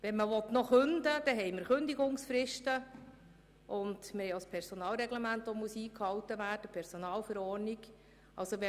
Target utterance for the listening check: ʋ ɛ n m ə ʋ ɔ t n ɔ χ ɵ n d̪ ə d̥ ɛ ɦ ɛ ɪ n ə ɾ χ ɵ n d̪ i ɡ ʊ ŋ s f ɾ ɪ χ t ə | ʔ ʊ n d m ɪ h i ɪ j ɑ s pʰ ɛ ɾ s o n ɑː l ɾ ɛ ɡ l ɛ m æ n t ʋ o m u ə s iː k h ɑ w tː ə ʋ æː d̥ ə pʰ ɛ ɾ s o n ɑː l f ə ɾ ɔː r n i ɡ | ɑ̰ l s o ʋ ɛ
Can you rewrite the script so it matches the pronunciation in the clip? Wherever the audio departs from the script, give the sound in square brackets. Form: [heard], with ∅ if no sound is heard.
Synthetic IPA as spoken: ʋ ɛ n m ə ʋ ɔ t n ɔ χ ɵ n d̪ ə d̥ ɛ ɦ ɛ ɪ [m] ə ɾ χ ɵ n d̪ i ɡ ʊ ŋ s f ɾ ɪ [ʃ] t ə | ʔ ʊ n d m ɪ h [ɛ] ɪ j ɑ s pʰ ɛ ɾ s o n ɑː l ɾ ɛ ɡ l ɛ m æ n t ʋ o m u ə s iː k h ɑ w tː ə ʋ æː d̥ ə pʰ ɛ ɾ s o n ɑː l f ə ɾ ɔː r n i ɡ | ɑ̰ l s o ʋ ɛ